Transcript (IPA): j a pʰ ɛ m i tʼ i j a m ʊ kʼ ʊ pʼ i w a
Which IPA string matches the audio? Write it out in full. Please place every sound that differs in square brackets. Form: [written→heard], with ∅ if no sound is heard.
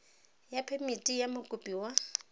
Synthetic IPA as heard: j a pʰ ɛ m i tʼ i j a m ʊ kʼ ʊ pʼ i w a